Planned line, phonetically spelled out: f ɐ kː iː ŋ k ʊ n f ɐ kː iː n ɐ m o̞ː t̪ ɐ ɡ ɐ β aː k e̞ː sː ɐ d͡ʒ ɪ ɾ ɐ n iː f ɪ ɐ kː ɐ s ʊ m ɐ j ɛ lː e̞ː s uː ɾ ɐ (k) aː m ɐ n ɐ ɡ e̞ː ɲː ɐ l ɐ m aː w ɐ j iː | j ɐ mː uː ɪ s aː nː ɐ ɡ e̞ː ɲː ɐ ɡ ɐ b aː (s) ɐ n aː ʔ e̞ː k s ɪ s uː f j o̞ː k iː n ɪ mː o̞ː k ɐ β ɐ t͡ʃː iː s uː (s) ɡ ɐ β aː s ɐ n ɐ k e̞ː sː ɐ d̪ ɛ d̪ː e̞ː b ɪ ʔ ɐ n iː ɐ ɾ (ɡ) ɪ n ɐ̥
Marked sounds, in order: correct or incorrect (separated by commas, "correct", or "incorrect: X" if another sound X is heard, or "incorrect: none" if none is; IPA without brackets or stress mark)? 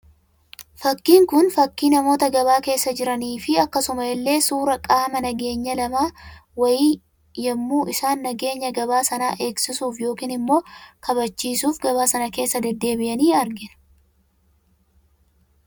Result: incorrect: kʼ, correct, incorrect: f, correct